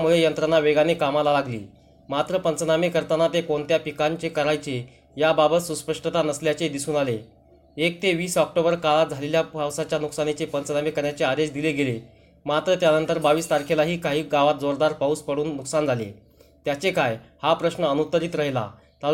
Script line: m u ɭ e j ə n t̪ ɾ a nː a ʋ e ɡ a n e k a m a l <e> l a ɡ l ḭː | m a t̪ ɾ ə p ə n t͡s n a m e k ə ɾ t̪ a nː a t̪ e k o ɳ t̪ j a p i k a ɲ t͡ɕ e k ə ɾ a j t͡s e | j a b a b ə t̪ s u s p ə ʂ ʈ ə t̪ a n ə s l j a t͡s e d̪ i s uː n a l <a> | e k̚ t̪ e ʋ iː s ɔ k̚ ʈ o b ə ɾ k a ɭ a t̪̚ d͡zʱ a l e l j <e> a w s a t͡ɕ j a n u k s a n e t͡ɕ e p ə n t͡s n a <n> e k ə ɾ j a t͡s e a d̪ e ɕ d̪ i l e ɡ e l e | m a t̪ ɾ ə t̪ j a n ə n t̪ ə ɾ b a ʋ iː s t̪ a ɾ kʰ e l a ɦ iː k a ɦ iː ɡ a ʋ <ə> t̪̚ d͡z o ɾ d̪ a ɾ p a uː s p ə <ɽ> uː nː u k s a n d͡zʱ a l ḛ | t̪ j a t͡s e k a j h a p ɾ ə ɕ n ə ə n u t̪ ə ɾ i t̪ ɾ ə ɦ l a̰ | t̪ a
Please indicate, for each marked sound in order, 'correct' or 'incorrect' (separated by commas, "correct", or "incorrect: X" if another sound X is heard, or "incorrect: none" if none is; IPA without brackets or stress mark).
incorrect: a, incorrect: e, incorrect: a, incorrect: m, incorrect: a, correct